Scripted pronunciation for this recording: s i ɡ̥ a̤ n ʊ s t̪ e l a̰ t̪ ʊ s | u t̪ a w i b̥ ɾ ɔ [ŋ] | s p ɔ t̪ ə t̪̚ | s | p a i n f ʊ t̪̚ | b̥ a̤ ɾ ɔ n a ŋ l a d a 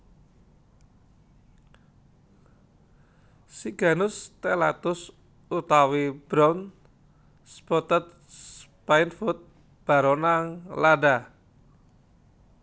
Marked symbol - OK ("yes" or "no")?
no